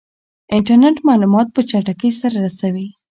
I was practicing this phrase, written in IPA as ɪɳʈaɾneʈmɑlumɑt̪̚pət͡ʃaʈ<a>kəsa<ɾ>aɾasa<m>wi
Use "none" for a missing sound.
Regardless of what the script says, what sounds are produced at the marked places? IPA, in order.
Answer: a, ɾ, none

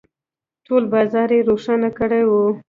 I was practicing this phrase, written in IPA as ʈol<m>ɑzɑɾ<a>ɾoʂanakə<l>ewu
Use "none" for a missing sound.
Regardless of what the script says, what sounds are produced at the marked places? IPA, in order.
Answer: b, e, ɽ

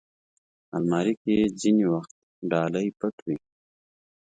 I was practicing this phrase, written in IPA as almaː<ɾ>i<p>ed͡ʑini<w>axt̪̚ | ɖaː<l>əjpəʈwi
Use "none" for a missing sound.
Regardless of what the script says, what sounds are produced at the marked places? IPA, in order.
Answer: ɾ, k, w, l

